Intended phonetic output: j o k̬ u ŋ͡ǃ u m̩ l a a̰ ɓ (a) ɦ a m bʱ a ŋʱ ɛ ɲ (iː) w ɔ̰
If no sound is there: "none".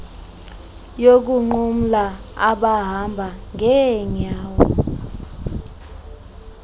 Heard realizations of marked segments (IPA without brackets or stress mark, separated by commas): a, aː